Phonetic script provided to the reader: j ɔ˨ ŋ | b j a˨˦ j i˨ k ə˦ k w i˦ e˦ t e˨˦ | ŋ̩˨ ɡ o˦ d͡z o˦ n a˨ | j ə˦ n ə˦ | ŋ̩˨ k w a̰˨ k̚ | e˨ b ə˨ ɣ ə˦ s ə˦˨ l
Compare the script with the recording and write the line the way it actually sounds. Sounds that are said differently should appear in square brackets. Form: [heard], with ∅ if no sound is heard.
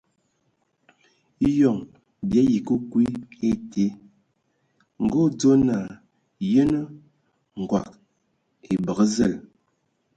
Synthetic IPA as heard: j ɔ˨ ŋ | b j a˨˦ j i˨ k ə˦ k w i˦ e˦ t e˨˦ | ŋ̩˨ ɡ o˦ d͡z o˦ n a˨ | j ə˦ n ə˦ | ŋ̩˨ [ɡ] w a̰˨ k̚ | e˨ b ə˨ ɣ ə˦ [z] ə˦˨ l